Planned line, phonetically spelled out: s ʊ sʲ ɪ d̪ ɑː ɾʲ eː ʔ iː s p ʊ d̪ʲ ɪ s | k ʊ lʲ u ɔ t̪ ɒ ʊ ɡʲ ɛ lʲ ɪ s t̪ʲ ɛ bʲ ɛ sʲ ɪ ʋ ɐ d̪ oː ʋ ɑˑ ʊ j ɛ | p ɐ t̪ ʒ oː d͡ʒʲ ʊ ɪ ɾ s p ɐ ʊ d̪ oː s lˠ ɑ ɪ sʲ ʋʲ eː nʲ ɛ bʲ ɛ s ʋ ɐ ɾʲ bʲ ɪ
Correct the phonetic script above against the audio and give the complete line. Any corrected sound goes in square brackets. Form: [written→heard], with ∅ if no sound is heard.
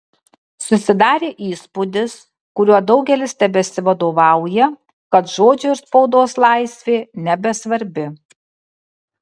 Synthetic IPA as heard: s ʊ sʲ ɪ d̪ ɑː ɾʲ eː ʔ iː s p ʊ d̪ʲ ɪ s | k ʊ [lʲ→ɾʲ] u ɔ [t̪→d̪] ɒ ʊ ɡʲ ɛ lʲ ɪ s t̪ʲ ɛ bʲ ɛ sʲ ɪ ʋ ɐ d̪ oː ʋ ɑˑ ʊ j ɛ | [p→k] ɐ t̪ ʒ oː d͡ʒʲ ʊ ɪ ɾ s p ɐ ʊ d̪ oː s lˠ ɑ ɪ sʲ ʋʲ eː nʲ ɛ bʲ ɛ s ʋ ɐ ɾʲ bʲ ɪ